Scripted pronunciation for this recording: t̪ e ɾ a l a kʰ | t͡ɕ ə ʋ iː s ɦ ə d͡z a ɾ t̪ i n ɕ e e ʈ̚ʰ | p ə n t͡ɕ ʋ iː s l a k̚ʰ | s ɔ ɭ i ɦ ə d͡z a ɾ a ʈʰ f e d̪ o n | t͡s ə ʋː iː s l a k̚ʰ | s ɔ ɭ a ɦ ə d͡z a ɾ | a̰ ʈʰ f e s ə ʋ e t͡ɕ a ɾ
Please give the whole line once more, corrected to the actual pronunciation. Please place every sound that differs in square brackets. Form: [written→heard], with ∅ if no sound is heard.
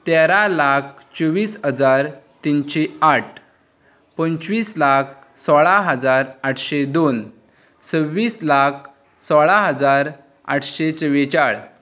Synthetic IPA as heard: t̪ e ɾ a l a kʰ | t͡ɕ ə ʋ iː s ɦ ə d͡z a ɾ t̪ i n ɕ e [e→a] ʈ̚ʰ | p ə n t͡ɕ ʋ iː s l a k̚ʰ | s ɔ ɭ [i→a] ɦ ə d͡z a ɾ a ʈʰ [f→ɕ] e d̪ o n | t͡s ə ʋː iː s l a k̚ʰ | s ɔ ɭ a ɦ ə d͡z a ɾ | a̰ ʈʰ [f→ɕ] e [s→t͡s] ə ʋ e t͡ɕ a [ɾ→ɭ]